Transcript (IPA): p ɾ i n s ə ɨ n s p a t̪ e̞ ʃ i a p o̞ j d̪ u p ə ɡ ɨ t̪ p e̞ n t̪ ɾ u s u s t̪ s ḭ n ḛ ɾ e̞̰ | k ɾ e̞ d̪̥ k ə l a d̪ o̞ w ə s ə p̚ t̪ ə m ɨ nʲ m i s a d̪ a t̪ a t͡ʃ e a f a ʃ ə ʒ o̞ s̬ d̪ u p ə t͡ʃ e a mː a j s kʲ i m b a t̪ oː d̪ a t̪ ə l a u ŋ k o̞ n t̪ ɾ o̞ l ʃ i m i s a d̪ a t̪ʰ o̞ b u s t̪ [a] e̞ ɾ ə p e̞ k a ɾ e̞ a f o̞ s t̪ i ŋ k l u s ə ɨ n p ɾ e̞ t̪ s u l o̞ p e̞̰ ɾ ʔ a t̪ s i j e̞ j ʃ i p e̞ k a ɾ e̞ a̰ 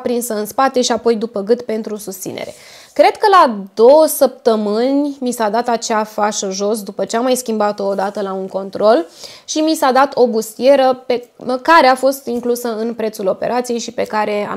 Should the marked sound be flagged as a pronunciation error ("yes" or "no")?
yes